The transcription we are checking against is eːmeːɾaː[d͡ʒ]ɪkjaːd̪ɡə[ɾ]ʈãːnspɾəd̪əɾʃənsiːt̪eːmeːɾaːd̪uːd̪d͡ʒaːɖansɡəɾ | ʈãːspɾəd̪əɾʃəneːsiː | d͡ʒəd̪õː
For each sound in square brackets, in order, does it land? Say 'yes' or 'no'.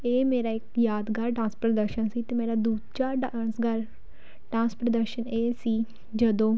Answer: no, yes

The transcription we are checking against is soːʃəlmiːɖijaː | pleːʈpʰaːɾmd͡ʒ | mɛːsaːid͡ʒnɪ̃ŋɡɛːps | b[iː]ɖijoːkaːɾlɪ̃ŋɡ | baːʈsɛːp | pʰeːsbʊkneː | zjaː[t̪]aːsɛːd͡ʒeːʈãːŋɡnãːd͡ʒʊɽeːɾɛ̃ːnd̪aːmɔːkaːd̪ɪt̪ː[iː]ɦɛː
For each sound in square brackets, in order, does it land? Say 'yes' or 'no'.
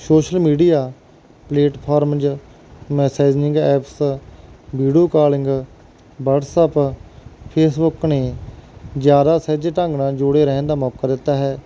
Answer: yes, no, no

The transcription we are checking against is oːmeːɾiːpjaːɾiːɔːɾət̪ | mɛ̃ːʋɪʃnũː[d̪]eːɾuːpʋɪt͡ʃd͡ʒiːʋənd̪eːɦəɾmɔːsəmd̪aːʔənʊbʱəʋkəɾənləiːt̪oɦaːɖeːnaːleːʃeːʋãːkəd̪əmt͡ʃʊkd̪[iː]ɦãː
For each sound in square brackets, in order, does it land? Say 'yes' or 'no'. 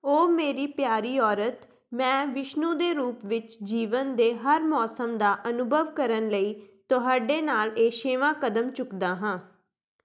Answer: yes, no

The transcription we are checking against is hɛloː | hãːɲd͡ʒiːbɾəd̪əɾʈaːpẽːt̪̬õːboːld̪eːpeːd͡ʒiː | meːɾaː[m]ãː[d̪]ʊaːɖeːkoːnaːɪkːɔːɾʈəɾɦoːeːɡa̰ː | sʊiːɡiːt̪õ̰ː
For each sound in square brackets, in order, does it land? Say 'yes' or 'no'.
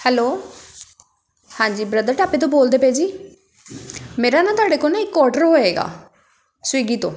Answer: no, no

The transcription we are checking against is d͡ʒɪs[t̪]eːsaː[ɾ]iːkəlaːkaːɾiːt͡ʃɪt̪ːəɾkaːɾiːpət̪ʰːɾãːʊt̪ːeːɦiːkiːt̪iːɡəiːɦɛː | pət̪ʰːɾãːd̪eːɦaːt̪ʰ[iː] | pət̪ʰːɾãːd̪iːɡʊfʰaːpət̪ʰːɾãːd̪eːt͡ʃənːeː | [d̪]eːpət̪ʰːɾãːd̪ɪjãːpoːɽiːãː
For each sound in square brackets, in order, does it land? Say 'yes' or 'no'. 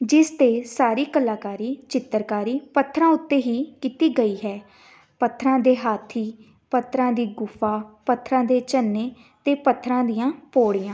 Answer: yes, yes, yes, no

